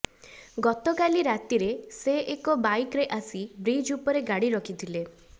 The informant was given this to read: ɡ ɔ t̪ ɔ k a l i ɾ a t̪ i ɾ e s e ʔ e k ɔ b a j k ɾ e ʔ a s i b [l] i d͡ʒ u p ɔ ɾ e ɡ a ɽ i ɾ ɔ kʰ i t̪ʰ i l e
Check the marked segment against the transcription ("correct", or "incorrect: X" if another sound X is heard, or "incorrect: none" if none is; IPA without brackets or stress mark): incorrect: ɾ